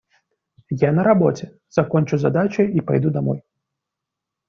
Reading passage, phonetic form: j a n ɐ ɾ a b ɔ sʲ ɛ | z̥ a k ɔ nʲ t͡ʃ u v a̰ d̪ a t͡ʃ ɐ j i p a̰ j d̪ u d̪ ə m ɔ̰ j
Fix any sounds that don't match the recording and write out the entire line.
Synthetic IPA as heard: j a n ɐ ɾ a b ɔ t͡sʲ ɛ | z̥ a k ɔ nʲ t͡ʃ u z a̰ d̪ a t͡ʃ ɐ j i p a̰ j d̪ u d̪ a m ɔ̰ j